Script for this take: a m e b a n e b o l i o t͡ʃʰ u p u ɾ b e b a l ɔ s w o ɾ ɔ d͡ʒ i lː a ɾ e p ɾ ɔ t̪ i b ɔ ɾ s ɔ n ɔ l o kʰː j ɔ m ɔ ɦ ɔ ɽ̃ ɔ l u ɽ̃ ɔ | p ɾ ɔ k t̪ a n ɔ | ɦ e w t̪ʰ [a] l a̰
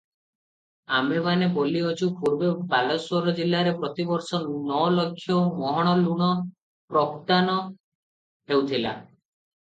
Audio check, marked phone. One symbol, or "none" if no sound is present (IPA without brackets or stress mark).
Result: i